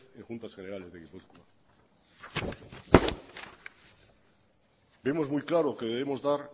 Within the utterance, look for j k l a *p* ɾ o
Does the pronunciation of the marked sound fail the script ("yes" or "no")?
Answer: yes